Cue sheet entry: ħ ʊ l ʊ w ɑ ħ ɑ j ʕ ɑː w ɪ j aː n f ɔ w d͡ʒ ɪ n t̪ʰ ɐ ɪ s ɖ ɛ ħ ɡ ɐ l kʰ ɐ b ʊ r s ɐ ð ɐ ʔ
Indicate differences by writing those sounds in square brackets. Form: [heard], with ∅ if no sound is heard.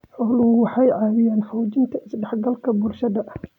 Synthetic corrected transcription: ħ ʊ l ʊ w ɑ ħ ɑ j ʕ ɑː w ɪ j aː n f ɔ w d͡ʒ ɪ n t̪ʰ ɐ ɪ s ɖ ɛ ħ ɡ ɐ l kʰ ɐ b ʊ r [ʃ] ɐ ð ɐ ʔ